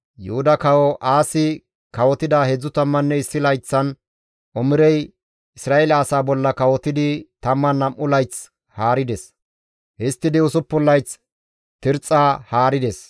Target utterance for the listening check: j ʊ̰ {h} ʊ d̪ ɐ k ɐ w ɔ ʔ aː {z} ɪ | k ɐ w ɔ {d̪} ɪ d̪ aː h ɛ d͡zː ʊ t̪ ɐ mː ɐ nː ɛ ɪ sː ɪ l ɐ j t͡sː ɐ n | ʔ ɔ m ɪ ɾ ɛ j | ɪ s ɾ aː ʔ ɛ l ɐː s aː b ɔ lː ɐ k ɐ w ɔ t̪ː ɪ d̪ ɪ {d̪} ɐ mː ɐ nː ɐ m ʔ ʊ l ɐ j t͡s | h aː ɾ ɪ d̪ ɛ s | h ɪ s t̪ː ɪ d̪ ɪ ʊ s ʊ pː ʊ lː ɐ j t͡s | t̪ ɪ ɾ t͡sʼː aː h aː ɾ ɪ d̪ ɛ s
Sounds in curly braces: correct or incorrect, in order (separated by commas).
correct, incorrect, incorrect, incorrect